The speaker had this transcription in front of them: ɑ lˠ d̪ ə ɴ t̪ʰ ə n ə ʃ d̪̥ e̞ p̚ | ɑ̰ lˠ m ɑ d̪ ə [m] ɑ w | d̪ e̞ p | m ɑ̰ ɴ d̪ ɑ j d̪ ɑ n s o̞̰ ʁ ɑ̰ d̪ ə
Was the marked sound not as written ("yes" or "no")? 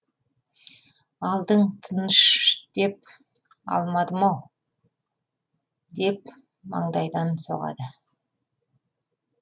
no